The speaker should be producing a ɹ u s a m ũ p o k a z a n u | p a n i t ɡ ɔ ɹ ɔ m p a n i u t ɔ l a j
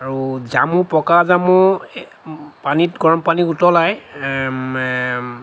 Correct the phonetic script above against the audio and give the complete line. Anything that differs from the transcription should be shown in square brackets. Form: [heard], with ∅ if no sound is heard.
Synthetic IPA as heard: a ɹ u [z] a m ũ p [ɔ] k a z a [m] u | p a n i t ɡ ɔ ɹ ɔ m p a n i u t ɔ l a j